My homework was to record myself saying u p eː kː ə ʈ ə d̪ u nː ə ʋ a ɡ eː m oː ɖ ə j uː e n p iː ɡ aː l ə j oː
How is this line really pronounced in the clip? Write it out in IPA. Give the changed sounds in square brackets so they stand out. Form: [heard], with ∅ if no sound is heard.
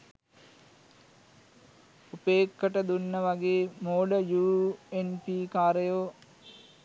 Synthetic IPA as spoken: u p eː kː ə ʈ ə d̪ u nː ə ʋ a ɡ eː m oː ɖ ə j uː e n p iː [k] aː [ɾ] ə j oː